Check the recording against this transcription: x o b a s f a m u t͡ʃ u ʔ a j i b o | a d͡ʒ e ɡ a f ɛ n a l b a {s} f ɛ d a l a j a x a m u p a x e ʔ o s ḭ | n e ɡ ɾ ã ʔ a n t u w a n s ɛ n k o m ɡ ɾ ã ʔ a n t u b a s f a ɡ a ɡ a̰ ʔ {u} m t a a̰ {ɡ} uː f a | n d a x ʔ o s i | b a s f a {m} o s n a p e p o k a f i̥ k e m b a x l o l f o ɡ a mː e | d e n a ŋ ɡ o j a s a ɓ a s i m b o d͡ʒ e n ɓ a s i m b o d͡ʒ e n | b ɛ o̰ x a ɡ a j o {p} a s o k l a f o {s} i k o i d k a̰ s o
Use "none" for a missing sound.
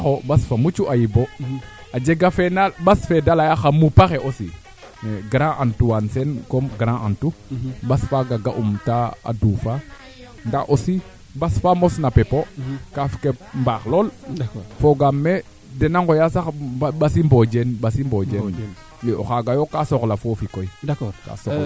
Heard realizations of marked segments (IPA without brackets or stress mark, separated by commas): s, u, d, m, k, f